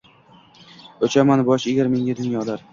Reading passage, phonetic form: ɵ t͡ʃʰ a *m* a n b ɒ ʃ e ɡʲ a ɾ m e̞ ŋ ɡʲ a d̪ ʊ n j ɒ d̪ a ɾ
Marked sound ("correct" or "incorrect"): correct